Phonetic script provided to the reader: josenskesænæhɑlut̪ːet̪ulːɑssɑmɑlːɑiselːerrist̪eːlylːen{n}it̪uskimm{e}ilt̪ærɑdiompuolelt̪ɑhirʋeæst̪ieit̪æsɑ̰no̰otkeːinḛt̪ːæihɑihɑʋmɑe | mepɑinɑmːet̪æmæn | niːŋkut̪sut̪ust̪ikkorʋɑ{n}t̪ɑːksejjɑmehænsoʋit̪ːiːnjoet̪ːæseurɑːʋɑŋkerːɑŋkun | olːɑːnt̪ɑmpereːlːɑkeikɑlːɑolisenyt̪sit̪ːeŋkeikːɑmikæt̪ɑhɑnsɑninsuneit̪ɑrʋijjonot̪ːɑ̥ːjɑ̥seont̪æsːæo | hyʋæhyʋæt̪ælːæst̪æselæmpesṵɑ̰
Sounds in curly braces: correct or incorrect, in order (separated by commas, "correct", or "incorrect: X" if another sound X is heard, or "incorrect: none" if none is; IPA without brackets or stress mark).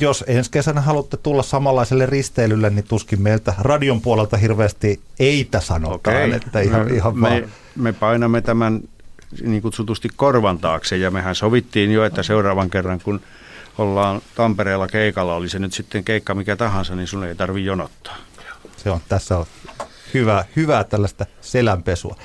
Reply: correct, correct, correct